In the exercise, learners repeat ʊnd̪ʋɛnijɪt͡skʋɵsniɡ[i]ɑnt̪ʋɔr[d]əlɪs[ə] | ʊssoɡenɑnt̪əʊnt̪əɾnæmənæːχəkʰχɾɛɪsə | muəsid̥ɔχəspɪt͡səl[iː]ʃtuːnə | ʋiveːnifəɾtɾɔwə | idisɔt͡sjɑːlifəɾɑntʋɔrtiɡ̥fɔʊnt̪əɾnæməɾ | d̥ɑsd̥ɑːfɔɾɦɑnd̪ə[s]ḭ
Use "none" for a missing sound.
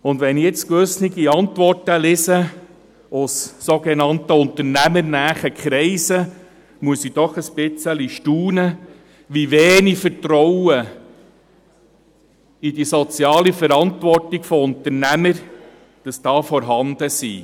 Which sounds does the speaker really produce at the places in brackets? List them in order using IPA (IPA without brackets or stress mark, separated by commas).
i, t, ə, i, s